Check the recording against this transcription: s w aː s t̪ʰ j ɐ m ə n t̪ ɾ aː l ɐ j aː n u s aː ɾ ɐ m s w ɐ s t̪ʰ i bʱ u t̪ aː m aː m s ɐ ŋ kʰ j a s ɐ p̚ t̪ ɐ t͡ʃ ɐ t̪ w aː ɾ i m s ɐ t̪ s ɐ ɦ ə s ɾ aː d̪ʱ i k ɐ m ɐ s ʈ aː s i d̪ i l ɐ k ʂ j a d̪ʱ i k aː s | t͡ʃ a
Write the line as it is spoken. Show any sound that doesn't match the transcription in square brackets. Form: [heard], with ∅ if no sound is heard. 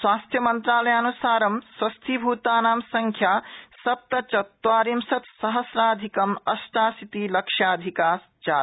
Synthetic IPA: s w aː s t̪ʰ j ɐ m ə n t̪ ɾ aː l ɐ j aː n u s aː ɾ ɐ m s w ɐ s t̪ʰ i bʱ u t̪ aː [n] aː m s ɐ ŋ kʰ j a s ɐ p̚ t̪ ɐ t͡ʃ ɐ t̪ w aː ɾ i m s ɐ t̪ s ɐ ɦ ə s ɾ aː d̪ʱ i k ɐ m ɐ s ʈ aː s i [t̪] i l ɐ k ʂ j a d̪ʱ i k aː s | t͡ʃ a